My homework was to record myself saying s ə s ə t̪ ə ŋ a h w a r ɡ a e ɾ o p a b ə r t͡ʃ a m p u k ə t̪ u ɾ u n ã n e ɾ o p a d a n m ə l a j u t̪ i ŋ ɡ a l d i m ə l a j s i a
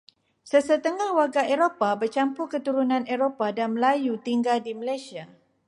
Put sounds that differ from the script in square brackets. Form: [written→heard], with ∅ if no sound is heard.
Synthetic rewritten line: s ə s ə t̪ ə ŋ a h w a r ɡ a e ɾ o p a b ə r t͡ʃ a m p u k ə t̪ u ɾ u n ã n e ɾ o p a d a n m ə l a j u t̪ i ŋ ɡ a l d i m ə l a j s i a